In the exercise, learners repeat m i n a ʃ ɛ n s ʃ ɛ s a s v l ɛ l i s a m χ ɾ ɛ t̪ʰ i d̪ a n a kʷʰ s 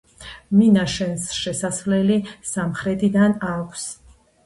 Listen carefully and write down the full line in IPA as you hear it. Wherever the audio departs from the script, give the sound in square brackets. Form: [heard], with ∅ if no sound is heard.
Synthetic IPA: m i n a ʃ ɛ n s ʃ ɛ s a s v l ɛ l i s a m χ ɾ ɛ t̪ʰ i d̪ a n a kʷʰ s